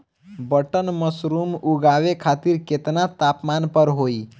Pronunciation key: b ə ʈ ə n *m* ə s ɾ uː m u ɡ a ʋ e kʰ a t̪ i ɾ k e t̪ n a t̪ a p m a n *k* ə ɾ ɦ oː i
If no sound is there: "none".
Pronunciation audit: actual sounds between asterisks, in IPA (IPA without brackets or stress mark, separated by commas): m, p